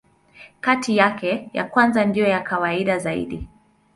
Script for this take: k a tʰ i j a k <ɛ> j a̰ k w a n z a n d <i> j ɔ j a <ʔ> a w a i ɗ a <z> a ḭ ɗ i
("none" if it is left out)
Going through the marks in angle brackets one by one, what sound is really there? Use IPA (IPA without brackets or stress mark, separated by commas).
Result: ɛ, i, k, z